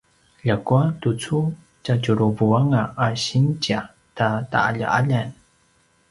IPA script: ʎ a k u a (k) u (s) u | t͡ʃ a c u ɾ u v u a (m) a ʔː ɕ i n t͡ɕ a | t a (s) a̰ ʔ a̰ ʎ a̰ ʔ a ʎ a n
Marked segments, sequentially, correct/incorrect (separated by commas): incorrect, incorrect, incorrect, incorrect